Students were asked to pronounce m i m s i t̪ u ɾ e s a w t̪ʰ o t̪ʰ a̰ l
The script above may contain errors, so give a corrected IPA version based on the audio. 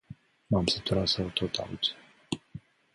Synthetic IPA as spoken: m a m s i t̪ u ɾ a s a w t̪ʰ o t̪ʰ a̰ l